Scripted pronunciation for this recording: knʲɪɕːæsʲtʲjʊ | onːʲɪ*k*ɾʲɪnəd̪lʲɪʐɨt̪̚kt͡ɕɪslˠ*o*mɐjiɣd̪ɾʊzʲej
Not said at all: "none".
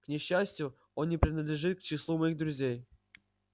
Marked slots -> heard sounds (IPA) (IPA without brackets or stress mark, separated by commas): p, u